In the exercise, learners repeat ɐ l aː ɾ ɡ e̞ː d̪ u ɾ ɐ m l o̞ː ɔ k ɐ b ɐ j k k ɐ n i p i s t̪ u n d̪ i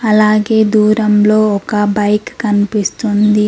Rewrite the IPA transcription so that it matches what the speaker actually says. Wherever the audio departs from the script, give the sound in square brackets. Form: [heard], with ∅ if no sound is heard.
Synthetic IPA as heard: ɐ l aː [∅] ɡ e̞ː d̪ [uː] ɾ ɐ m l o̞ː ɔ k ɐ b ɐ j k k ɐ n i p i s t̪ u n d̪ i